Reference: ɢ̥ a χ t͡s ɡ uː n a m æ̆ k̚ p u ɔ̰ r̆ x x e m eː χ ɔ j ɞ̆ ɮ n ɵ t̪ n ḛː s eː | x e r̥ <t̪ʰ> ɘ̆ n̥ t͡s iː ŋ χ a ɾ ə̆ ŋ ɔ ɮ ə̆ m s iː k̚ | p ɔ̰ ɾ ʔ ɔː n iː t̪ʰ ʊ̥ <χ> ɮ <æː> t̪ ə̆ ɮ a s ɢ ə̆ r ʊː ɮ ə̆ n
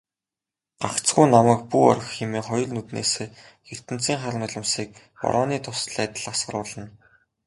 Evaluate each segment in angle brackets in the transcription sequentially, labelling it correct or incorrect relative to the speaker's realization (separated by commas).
incorrect, incorrect, correct